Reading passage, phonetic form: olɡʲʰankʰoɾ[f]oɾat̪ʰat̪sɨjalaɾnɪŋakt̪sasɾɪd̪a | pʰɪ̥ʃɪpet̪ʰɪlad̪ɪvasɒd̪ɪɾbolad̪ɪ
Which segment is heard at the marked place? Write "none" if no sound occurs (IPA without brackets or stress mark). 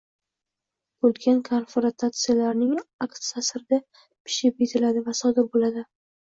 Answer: f